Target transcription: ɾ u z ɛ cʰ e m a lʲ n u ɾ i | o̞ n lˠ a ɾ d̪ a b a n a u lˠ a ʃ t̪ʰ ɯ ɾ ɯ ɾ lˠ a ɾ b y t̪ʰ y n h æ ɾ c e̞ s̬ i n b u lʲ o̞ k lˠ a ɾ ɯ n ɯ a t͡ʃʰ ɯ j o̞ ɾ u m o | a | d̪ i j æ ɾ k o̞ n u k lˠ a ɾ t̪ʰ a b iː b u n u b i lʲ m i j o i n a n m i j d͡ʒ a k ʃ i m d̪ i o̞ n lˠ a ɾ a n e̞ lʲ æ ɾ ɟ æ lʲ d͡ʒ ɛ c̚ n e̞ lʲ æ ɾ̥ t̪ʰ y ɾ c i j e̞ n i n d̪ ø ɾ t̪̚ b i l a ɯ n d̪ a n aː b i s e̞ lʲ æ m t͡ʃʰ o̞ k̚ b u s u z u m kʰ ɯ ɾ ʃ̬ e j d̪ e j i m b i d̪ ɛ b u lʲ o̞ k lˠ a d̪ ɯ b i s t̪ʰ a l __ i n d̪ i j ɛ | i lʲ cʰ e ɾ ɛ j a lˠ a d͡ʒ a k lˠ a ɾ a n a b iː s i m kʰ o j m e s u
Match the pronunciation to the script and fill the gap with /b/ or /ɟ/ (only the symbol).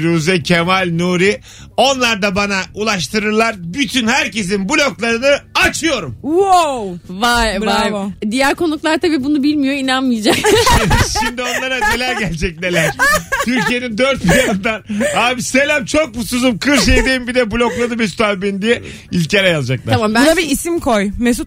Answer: b